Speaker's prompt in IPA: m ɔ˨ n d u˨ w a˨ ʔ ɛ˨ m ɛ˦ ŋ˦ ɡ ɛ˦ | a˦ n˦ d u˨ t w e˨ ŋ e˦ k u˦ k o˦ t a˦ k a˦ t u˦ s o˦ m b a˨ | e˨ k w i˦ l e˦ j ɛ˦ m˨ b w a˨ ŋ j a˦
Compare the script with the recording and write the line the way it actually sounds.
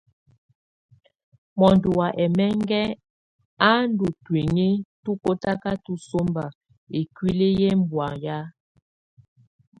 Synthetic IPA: m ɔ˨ n d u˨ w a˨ ʔ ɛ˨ m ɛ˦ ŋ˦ ɡ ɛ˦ | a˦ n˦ d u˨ t w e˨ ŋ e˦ t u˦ k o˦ t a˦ k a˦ t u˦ s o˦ m b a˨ | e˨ k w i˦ l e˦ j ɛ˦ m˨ b w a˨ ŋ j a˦